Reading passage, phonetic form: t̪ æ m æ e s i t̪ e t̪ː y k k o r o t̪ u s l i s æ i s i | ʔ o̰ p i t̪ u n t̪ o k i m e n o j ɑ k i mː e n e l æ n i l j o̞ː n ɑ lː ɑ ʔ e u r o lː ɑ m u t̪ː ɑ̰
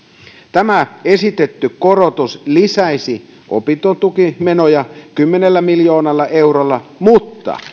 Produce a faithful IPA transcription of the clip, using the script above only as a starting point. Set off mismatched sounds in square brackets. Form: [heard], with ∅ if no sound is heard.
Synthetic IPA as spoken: t̪ æ m æ e s i t̪ e t̪ː y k k o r o t̪ u s l i s æ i s i | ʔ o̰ p i t̪ [o] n t̪ [u] k i m e n o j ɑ k [y] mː e n e [lː] æ [m] i l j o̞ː n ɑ lː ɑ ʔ e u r o lː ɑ m u t̪ː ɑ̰